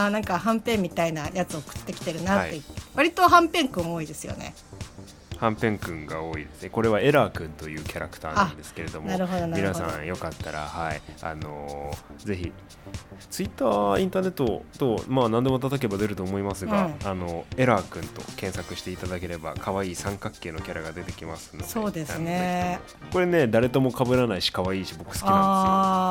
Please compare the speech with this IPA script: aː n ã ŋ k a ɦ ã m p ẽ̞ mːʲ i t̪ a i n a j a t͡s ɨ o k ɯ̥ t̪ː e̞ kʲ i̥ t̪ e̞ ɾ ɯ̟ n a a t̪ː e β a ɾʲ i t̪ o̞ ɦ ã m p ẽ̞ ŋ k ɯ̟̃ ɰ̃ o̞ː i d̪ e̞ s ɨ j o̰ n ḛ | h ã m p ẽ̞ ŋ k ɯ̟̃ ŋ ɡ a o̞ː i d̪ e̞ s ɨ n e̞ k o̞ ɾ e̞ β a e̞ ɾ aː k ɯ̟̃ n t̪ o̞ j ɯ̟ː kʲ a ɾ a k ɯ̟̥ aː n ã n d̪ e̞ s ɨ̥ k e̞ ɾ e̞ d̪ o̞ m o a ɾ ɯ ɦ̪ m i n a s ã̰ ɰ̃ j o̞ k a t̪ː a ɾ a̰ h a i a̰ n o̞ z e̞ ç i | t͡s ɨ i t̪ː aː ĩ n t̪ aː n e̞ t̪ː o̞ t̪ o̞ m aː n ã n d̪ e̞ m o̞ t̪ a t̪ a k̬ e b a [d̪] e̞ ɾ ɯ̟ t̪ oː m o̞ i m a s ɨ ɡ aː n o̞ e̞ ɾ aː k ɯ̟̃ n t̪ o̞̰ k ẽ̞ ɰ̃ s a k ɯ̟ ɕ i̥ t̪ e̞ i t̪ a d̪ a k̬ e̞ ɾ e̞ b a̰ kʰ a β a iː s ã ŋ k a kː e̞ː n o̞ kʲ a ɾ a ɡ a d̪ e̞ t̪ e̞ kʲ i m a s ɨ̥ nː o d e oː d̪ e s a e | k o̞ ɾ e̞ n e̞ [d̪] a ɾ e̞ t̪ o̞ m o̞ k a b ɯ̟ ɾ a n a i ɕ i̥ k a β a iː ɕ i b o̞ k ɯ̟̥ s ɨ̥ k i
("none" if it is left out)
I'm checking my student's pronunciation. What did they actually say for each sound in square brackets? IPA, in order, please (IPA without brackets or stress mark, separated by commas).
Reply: d̪, d̪